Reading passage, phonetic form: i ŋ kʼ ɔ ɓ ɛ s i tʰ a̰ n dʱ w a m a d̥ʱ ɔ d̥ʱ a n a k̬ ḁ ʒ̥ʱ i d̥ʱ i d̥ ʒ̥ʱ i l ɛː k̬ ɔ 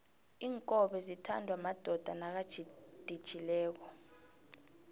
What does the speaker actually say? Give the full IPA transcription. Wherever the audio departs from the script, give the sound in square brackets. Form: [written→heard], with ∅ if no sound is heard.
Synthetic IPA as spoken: [i→iː] ŋ kʼ ɔ ɓ ɛ [s→z] i tʰ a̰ n dʱ w a m a d̥ʱ ɔ d̥ʱ a n a k̬ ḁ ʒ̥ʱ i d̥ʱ i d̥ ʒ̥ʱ i l ɛː k̬ ɔ